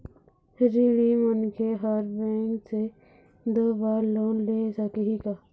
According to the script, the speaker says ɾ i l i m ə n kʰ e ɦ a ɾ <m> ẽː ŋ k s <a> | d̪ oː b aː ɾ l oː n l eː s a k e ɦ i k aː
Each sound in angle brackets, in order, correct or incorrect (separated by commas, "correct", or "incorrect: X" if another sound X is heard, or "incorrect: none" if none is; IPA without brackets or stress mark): incorrect: b, incorrect: e